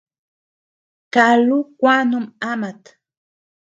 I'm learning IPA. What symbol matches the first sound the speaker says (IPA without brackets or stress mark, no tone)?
k